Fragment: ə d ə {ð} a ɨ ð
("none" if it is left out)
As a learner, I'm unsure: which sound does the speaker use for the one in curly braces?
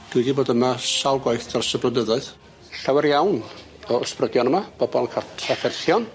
ð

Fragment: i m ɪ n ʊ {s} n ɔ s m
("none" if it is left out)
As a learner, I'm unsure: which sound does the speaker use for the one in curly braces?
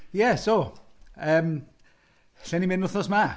θ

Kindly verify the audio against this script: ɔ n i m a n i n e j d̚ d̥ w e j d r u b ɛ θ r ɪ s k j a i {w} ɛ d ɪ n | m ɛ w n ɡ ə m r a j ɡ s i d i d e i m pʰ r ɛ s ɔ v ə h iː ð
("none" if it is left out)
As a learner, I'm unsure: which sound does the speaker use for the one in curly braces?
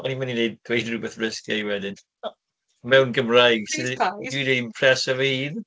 w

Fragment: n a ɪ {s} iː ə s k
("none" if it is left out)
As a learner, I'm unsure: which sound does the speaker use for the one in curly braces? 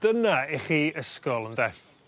χ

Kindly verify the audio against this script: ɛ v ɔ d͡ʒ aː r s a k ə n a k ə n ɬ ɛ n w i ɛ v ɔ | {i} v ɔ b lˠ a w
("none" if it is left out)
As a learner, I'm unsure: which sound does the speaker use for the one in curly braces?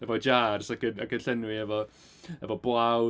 ɛ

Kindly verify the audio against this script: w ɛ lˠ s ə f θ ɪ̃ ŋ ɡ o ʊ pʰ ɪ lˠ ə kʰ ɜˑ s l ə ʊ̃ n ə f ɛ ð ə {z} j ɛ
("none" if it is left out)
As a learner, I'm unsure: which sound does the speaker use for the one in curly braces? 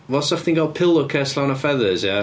z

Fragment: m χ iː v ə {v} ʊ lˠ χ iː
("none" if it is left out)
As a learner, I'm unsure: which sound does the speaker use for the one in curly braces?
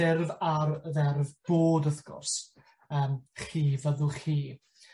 ð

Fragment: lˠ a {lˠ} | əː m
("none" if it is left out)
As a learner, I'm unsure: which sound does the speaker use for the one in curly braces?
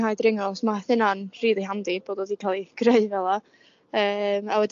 none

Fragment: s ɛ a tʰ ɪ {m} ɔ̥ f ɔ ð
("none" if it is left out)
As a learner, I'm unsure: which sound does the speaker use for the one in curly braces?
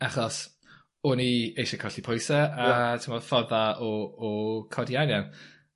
m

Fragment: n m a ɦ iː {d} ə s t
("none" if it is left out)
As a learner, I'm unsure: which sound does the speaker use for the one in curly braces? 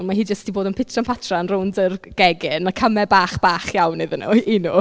d͡ʒ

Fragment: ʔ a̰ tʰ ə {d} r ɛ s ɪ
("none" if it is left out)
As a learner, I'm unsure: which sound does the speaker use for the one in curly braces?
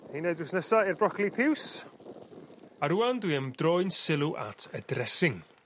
d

